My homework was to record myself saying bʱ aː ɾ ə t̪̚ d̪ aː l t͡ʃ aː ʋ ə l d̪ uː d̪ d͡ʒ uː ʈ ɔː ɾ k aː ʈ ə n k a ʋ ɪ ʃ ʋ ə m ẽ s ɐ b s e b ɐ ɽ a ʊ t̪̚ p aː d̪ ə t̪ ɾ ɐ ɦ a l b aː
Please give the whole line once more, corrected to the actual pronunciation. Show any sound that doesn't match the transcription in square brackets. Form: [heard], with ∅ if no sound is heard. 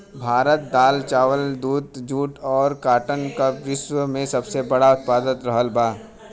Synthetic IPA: bʱ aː ɾ ə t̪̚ d̪ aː l t͡ʃ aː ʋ ə l d̪ uː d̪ d͡ʒ uː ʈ ɔː ɾ k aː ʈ ə n k a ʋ ɪ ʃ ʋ ə m ẽ s ɐ b s e b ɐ ɽ a ʊ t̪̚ p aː d̪ ə t̪ ɾ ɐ ɦ [ə] l b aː

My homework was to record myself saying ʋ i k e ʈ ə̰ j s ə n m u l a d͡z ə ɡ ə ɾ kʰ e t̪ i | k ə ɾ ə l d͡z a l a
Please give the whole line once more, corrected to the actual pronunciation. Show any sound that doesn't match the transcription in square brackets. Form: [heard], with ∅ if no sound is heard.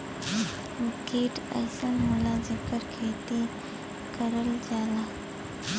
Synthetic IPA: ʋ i k e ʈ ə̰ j s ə n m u l a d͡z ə [k] ə ɾ kʰ e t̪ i | k ə ɾ ə l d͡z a l a

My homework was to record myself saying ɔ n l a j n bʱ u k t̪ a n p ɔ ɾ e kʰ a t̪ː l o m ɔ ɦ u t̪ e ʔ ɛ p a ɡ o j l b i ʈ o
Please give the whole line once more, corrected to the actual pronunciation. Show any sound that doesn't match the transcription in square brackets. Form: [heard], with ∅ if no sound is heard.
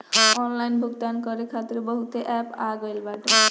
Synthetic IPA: ɔ n l a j n bʱ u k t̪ a n [k] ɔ ɾ e kʰ a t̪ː [ɾ] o [b] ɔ ɦ u t̪ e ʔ ɛ p a ɡ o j l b [a] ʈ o

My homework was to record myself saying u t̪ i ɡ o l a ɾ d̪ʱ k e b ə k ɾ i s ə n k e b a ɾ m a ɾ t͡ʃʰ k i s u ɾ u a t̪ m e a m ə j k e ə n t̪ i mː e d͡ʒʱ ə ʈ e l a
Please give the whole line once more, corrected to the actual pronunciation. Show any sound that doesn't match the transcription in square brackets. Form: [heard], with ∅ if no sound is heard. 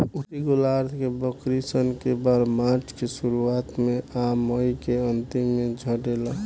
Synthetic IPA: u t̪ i ɡ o l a ɾ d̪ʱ k e b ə k ɾ i s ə n k e b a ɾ m a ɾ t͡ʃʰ k [e] s u ɾ u a t̪ m e a m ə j k e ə n t̪ i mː e d͡ʒʱ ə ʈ e l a

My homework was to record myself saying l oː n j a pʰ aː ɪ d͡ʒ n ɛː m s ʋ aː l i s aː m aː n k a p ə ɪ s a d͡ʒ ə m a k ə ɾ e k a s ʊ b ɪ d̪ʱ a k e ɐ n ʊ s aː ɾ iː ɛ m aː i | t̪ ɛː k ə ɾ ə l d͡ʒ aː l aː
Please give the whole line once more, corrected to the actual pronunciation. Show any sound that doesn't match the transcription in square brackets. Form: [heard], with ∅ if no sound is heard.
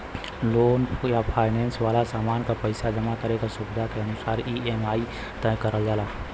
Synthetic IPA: l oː n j a pʰ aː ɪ [∅] n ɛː [n] s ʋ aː l [a] s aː m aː n k a p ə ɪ s a d͡ʒ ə m a k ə ɾ e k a s ʊ b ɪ d̪ʱ a k e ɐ n ʊ s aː ɾ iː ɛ m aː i | t̪ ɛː k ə ɾ ə l d͡ʒ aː l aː

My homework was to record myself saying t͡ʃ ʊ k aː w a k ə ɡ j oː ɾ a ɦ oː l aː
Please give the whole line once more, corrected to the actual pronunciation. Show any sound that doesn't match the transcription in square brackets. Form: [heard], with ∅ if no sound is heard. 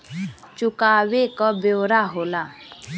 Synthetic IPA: t͡ʃ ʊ k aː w [e] k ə [b] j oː ɾ a ɦ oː l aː

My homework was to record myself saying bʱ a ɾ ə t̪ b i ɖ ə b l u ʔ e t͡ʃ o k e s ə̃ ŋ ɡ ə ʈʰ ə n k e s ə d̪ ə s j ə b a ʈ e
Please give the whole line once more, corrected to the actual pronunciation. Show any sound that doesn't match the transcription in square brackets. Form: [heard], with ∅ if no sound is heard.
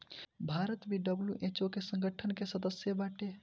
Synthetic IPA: bʱ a ɾ ə t̪ b i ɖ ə b l u ʔ e t͡ʃ o k e s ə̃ ŋ ɡ ə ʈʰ ə n k e s ə d̪ ə s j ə b a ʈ e

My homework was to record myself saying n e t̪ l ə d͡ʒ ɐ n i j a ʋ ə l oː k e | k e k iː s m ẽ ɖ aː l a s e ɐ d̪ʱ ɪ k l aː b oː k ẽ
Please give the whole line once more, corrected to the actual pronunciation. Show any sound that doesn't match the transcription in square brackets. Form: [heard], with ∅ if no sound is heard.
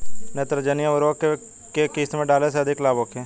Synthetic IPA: n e t̪ [ɾ] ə d͡ʒ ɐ n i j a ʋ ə [ɾ] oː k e | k e k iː s m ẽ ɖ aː l [e] s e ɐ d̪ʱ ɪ k l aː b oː k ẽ

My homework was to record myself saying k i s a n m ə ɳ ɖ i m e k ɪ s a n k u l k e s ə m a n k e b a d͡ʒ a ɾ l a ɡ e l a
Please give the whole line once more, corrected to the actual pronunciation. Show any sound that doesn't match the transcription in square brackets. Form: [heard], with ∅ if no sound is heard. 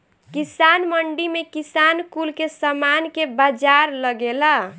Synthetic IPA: k i s a n m ə ɳ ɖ i m e k [i] s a n k u l k e s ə m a n k e b a d͡ʒ a ɾ l [ə] ɡ e l a

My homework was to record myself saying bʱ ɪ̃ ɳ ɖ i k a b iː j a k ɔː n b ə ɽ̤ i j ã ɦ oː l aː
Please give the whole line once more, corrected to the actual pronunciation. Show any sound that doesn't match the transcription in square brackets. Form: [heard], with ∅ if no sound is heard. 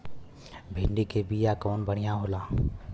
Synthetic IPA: bʱ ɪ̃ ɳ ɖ i k [e] b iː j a k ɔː n b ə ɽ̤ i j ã ɦ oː l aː

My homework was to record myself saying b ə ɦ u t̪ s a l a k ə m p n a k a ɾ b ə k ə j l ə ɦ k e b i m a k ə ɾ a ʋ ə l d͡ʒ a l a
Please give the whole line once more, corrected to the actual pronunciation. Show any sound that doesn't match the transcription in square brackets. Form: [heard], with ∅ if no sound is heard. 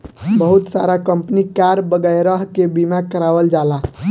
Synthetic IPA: b ə ɦ u t̪ s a [ɾ] a k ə m p n [i] k a ɾ b ə [ɡ] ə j [ɾ] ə ɦ k e b i m a k ə ɾ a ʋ ə l d͡ʒ a l a

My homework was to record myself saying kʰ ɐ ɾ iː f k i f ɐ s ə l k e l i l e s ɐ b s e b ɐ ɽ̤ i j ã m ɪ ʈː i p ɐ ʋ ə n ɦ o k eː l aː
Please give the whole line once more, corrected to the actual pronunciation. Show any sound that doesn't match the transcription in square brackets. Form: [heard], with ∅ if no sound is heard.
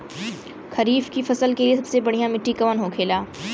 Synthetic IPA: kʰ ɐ ɾ iː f k i f ɐ s ə l k e l i [∅] e s ɐ b s e b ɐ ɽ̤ i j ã m ɪ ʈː i [k] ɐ ʋ ə n ɦ o [kʰ] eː l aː

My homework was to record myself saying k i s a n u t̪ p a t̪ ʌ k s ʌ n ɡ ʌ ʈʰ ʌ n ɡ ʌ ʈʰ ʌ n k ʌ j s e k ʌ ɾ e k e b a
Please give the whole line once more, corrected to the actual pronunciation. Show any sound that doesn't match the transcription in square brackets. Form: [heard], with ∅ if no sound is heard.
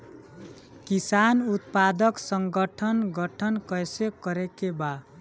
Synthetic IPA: k i s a n u t̪ p a [d̪] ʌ k s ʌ [ŋ] ɡ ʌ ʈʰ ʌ n ɡ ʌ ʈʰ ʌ n k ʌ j s e k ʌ ɾ e k e b a

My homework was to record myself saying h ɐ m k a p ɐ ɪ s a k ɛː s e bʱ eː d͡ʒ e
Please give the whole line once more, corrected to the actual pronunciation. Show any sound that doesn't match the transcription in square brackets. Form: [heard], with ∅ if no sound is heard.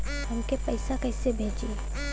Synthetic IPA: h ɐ m k [e] p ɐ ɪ s a k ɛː s e bʱ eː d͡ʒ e

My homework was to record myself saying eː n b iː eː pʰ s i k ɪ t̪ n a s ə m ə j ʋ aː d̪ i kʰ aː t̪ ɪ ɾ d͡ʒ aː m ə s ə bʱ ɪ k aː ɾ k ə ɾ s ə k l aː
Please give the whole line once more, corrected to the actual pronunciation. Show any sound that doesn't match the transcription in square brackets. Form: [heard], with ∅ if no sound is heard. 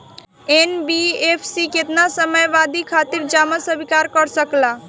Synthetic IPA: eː n b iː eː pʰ s i k ɪ t̪ n a s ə m ə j ʋ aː d̪ i kʰ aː t̪ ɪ ɾ d͡ʒ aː m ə s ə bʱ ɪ k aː ɾ k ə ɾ s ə k l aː

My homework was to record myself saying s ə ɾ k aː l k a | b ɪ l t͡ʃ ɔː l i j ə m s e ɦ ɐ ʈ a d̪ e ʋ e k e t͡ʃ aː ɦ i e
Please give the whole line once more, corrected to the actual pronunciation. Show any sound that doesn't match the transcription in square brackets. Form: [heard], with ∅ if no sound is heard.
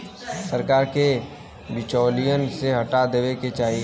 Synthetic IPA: s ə ɾ k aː [ɾ] k [e] | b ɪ [∅] t͡ʃ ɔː l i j ə [n] s e ɦ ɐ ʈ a d̪ e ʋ e k e t͡ʃ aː ɦ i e

